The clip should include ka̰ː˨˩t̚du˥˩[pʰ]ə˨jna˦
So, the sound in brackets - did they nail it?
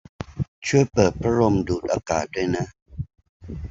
no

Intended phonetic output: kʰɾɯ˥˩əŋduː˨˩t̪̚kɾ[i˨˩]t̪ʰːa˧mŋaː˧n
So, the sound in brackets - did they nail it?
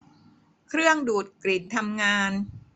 yes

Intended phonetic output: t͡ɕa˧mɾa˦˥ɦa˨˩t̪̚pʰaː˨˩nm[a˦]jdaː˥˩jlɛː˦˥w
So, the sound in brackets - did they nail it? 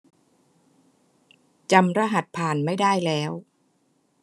no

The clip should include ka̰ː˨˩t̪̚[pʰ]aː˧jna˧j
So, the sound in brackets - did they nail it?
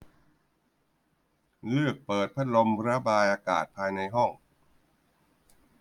yes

